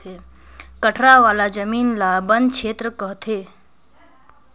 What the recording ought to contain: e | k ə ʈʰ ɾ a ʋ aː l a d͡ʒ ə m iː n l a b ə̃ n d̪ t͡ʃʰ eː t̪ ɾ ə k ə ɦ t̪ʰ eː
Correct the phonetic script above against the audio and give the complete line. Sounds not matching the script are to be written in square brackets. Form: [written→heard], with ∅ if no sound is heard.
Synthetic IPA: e | k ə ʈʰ ɾ a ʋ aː l a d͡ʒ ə m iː n l a b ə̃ n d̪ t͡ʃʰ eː t̪ ɾ ə k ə ɦ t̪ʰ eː